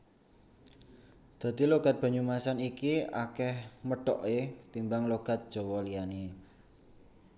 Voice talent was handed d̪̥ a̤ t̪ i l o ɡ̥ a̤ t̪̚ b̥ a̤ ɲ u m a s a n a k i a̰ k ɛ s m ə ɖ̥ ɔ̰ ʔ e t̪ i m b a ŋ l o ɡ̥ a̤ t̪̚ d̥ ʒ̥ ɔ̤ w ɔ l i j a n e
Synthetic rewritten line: d̪̥ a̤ t̪ i l o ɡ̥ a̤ t̪̚ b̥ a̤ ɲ u m a s a n i k i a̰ k ɛ h m ə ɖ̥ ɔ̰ ʔ e t̪ i m b a ŋ l o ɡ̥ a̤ t̪̚ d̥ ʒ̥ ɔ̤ w ɔ l i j a n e